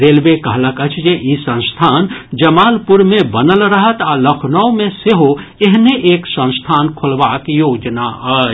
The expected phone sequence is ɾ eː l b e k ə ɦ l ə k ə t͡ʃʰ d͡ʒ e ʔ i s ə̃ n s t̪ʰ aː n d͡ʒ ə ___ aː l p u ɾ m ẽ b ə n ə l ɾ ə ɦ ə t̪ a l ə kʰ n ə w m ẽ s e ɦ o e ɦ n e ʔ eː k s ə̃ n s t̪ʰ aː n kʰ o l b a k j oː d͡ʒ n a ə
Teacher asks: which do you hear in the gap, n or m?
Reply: m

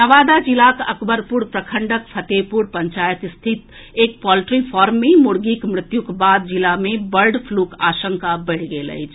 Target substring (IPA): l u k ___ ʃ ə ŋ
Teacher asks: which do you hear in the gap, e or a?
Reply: a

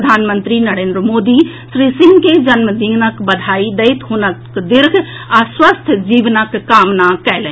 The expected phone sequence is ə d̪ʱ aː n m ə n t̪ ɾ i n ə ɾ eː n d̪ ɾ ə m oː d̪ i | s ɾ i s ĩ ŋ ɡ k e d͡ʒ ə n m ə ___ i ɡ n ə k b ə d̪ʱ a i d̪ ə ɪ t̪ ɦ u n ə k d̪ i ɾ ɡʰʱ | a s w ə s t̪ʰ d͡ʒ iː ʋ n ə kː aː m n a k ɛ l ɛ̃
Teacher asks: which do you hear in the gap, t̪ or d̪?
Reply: d̪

